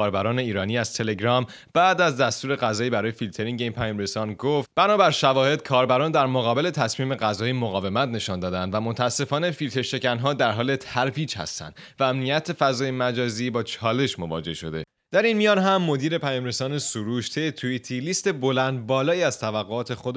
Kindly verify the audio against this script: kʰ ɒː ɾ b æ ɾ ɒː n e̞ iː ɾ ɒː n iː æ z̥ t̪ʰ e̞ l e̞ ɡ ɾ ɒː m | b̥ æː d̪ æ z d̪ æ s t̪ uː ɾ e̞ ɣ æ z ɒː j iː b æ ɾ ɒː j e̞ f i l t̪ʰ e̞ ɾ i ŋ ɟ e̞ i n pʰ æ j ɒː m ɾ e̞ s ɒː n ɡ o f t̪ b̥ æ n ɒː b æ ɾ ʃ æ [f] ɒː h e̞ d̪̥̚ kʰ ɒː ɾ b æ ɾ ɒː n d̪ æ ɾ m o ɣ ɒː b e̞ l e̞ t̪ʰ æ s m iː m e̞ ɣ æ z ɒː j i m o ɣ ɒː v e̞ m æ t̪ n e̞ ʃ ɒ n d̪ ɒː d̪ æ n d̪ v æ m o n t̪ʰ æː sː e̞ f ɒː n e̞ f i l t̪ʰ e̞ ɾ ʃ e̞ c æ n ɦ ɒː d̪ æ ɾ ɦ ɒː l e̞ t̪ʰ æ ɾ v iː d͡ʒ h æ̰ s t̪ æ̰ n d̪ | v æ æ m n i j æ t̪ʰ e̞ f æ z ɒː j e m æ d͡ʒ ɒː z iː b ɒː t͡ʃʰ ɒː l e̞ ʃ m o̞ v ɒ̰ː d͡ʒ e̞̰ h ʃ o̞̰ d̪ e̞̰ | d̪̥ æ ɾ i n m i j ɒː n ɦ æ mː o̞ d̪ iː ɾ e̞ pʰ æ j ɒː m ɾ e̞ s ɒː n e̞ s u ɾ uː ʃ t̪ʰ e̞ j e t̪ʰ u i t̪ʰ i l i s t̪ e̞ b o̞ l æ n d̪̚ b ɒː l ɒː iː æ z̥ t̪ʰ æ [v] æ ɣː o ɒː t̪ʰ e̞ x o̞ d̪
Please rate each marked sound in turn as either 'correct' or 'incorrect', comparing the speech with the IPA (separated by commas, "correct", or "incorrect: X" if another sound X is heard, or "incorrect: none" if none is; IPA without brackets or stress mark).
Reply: incorrect: v, correct